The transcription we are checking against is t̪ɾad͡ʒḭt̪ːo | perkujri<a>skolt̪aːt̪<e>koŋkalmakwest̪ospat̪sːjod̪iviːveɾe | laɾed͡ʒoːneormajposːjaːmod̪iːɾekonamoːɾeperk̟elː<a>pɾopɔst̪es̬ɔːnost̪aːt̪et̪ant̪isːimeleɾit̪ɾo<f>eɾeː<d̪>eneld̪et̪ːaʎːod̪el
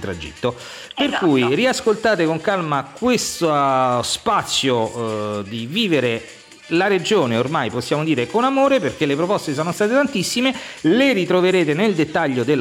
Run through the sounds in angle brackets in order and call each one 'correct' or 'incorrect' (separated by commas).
correct, correct, incorrect, incorrect, incorrect